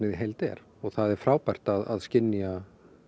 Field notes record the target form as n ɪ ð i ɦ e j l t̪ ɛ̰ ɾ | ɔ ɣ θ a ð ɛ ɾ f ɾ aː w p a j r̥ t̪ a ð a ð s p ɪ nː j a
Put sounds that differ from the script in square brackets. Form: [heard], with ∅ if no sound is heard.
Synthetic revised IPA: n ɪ ð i ɦ e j l t̪ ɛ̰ ɾ | ɔ ɣ θ a ð ɛ ɾ f ɾ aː w p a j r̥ t̪ a ð a ð s [c] ɪ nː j a